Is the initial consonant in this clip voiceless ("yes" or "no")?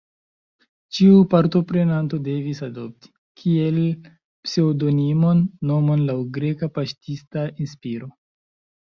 yes